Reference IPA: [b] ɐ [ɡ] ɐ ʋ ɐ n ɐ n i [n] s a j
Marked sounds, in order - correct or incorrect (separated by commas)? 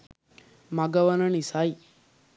incorrect, correct, incorrect